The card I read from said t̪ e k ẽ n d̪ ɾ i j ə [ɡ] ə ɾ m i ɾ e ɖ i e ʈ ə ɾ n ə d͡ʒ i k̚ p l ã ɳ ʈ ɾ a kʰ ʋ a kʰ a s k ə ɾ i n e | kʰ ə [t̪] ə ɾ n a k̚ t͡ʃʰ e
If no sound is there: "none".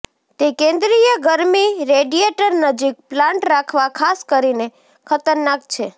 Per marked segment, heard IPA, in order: ɡ, t̪

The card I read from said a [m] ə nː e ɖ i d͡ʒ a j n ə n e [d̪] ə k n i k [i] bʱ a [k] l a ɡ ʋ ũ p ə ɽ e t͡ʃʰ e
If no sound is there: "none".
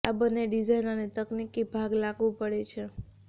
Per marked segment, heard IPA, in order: b, t̪, i, ɡ

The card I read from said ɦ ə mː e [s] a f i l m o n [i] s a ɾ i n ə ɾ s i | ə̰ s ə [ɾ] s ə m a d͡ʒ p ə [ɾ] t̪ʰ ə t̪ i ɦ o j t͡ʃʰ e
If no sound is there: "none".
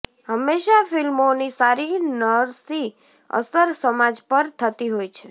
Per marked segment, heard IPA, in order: ʃ, i, ɾ, ɾ

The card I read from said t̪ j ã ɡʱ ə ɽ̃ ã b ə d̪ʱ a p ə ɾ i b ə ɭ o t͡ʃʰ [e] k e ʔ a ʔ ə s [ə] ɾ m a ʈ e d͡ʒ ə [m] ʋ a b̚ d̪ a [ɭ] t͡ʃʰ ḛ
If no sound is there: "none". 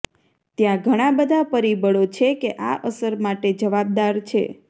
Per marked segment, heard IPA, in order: e, ə, none, ɾ

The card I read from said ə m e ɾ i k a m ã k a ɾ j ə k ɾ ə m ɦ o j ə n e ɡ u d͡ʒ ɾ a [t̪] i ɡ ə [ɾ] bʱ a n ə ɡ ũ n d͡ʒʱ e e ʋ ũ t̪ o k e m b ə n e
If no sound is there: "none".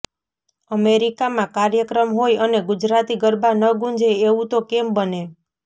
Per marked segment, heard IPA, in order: t̪, ɾ

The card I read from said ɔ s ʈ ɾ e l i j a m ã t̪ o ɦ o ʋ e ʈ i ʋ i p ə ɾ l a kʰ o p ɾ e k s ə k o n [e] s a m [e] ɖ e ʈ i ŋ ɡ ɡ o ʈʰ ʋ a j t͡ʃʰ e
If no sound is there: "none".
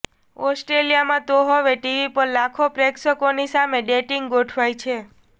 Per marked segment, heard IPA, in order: i, e

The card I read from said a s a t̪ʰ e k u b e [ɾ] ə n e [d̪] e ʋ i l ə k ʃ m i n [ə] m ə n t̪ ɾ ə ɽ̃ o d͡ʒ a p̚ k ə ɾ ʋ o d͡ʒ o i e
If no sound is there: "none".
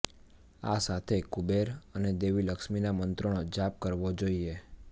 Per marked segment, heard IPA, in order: ɾ, d̪, a

